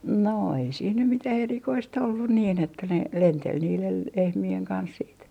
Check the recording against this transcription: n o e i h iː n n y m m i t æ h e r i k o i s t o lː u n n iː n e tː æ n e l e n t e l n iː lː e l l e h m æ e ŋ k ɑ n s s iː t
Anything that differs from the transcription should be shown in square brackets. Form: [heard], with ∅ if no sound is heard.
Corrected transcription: n o e i [s] iː n n y m m i t æ h e r i k o i s t o lː u n n iː n e tː æ n e l e n t e l n iː [l] e l l e h m [i] e ŋ k ɑ n s s iː t